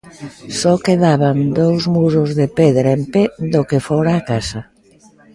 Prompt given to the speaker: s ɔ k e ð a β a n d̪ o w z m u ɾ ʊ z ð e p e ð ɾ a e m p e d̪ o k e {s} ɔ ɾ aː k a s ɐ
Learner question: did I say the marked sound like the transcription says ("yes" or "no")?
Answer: no